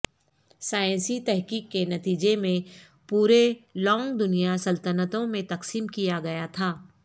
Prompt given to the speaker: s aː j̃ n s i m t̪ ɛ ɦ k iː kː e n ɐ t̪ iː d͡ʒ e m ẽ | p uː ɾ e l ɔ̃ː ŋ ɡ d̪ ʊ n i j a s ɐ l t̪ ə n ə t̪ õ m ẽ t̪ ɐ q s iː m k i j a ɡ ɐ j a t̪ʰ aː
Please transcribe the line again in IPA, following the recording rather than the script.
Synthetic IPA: s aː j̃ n s i t̪ ɛ ɦ k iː kː e n ɐ t̪ iː d͡ʒ e m ẽ | p uː ɾ e l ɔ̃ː ŋ ɡ d̪ ʊ n i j a s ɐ l t̪ ə n ə t̪ õ m ẽ t̪ ɐ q s iː m k i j a ɡ ɐ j a t̪ʰ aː

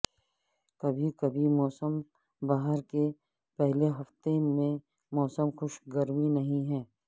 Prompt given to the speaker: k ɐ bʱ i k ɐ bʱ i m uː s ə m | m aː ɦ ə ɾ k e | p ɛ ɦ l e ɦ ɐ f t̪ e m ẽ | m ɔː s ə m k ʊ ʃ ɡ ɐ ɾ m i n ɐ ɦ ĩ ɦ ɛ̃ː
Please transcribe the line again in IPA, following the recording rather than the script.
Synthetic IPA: k ɐ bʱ i k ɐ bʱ i m ɔː s ə m | b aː ɦ ə ɾ k e | p ɛ ɦ l e ɦ ɐ f t̪ e m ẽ | m ɔː s ə m x ʊ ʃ ɡ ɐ ɾ m i n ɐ ɦ ĩ ɦ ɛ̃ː

